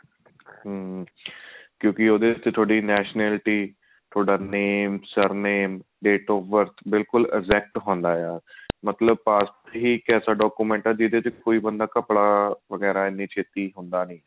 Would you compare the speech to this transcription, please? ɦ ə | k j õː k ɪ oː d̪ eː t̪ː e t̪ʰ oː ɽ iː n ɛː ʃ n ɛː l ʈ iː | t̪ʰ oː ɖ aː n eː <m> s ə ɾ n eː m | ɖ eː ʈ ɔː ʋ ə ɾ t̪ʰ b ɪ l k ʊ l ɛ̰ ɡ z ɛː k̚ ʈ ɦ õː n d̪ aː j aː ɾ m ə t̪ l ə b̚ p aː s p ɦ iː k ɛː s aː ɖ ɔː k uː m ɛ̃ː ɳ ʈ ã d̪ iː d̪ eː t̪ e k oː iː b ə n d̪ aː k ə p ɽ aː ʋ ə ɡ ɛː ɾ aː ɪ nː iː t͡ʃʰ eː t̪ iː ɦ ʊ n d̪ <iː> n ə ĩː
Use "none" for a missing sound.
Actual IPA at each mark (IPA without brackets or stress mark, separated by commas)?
m, aː